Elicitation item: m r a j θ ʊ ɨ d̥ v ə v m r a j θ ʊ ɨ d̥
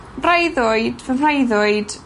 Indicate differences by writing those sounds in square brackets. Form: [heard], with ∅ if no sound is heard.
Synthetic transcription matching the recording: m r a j [ð] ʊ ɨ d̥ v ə [∅] m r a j [ð] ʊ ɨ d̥